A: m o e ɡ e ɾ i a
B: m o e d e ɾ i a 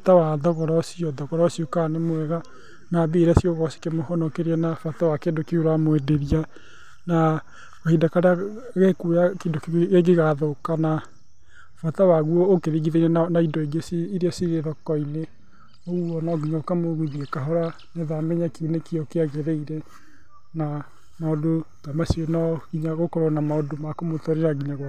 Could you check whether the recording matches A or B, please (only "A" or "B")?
B